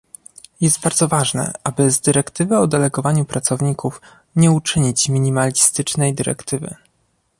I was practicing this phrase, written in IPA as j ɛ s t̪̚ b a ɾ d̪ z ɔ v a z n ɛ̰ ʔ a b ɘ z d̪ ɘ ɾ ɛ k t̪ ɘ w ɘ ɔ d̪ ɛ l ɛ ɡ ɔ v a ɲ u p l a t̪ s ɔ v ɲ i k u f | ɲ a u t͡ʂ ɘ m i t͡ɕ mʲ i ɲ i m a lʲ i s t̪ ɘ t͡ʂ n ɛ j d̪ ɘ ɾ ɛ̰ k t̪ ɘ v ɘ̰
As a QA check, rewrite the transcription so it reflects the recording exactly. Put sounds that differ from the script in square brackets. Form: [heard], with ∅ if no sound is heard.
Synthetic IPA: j ɛ s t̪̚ b a ɾ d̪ z ɔ v a [ʐ] n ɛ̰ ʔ a b ɘ z d̪ ɘ ɾ ɛ k t̪ ɘ [v] ɘ ɔ d̪ ɛ l ɛ ɡ ɔ v a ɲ u p [ɾ] a t̪ s ɔ v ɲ i k u f | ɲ [ɛ] u t͡ʂ ɘ [ɲ] i t͡ɕ mʲ i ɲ i m a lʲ i s t̪ ɘ t͡ʂ n ɛ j d̪ ɘ ɾ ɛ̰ k t̪ ɘ v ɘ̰